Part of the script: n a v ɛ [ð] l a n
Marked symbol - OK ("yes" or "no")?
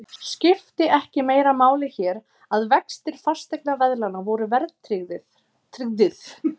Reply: yes